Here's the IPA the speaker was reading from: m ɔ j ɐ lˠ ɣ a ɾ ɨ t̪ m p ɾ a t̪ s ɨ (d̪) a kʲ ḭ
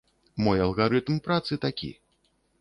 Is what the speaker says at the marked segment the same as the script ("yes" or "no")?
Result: no